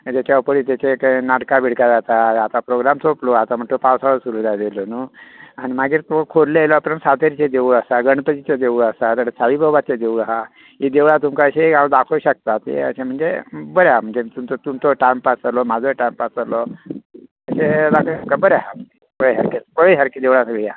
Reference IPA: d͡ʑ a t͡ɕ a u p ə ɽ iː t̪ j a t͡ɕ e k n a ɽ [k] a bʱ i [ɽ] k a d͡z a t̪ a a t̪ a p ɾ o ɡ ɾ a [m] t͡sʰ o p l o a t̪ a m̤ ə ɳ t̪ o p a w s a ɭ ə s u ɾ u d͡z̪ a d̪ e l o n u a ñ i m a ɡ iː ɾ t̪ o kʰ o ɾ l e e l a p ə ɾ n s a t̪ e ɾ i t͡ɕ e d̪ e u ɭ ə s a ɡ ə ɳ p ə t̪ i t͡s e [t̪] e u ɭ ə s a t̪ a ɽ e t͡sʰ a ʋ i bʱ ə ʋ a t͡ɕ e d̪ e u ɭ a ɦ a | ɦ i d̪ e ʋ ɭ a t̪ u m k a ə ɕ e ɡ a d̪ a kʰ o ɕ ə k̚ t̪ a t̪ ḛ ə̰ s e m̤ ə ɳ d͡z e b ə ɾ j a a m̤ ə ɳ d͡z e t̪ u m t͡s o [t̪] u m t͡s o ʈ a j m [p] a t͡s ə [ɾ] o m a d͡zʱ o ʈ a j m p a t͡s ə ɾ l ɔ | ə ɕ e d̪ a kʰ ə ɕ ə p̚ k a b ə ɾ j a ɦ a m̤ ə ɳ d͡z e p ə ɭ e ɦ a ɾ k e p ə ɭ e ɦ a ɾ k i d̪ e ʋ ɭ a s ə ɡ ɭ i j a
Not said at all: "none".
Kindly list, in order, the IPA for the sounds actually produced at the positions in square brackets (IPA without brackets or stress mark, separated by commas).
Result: k, ɽ, m, d̪, t̪, p, l